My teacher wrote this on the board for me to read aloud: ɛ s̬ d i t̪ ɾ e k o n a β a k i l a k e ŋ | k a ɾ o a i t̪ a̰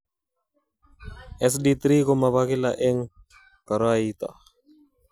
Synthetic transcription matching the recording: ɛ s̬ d i t̪ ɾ i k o m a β a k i l a ʔ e ŋ | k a ɾ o a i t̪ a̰